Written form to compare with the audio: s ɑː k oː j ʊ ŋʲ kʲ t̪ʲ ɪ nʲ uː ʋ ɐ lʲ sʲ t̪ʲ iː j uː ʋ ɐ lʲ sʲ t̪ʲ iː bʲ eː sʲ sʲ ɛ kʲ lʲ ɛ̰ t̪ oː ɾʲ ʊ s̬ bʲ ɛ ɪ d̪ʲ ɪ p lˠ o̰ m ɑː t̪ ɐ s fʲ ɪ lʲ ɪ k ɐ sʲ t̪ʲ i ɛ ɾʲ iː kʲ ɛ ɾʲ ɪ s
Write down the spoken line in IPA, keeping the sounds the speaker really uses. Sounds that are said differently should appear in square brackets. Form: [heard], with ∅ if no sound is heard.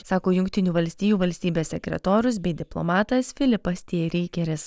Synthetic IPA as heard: s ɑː k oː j ʊ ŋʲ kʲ t̪ʲ ɪ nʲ uː ʋ ɐ lʲ sʲ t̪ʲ iː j uː ʋ ɐ lʲ sʲ t̪ʲ iː bʲ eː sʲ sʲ ɛ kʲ [ɾʲ] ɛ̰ t̪ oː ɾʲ ʊ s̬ bʲ ɛ ɪ d̪ʲ ɪ p lˠ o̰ m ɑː t̪ ɐ s fʲ ɪ lʲ ɪ [p] ɐ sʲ t̪ʲ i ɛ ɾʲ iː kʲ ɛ ɾʲ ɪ s